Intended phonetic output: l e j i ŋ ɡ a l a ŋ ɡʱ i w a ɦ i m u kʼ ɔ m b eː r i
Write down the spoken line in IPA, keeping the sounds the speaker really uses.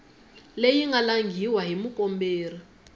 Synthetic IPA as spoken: l e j i ŋ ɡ a l a ŋ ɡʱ i w a ɦ i m u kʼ ɔ m b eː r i